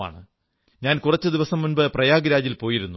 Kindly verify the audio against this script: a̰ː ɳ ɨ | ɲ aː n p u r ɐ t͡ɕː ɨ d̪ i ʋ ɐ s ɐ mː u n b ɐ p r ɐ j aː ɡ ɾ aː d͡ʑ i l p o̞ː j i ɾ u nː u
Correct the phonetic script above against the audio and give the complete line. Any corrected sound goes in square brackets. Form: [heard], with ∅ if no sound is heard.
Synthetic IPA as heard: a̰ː ɳ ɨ | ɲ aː n [k] u r ɐ t͡ɕː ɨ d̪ i ʋ ɐ s ɐ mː u n b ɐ p r ɐ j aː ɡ ɾ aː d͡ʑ i l p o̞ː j i ɾ u nː u